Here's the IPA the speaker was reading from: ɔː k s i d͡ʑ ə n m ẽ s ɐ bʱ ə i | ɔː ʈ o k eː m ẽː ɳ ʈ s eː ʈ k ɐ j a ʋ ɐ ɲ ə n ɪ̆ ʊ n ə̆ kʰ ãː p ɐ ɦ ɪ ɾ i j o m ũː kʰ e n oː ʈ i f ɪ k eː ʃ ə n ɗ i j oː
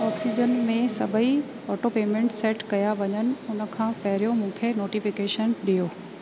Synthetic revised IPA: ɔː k s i d͡ʑ ə n m ẽ s ɐ bʱ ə i | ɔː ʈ o p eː m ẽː ɳ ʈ s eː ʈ k ɐ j a ʋ ɐ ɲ ə n ɪ̆ ʊ n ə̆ kʰ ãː p ɐ ɦ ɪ ɾ i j o m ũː kʰ e n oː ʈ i f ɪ k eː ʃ ə n ɗ i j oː